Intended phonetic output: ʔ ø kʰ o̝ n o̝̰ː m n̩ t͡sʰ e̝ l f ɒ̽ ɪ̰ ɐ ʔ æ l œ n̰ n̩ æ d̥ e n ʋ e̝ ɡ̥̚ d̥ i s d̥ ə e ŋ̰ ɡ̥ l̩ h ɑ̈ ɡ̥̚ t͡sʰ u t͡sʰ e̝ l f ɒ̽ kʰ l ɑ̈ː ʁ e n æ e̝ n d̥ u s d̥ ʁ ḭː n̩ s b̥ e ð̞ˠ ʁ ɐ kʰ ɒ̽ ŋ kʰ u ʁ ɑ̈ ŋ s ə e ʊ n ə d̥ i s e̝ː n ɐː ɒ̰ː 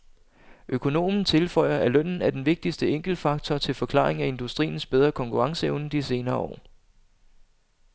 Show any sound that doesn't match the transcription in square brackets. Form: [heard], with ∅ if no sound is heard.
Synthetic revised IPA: ʔ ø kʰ o̝ n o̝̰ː m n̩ t͡sʰ e̝ l f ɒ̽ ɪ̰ ɐ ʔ æ l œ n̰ n̩ æ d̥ e n ʋ e̝ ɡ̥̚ d̥ i s d̥ ə e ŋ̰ ɡ̥ l̩ [f] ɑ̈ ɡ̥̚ t͡sʰ [ɒ] t͡sʰ e̝ l f ɒ̽ kʰ l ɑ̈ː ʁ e [ŋ] æ e̝ n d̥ u s d̥ ʁ ḭː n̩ s b̥ e ð̞ˠ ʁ ɐ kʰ ɒ̽ ŋ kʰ u ʁ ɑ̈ ŋ s ə e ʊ n ə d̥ i s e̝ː n ɐː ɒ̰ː